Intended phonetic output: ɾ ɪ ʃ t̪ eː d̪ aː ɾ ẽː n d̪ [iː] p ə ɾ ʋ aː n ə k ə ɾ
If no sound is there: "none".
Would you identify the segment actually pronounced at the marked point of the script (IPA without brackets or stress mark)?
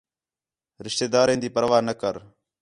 iː